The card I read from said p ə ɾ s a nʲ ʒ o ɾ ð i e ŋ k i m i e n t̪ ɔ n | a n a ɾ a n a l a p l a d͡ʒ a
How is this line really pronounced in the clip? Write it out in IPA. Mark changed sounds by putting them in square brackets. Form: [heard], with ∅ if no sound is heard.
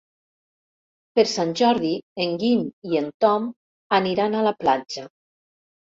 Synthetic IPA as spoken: p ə ɾ s a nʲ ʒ [ɔ] ɾ ð i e ŋ [ɡ] i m i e n t̪ ɔ [m] | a n [i] ɾ a n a l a p l a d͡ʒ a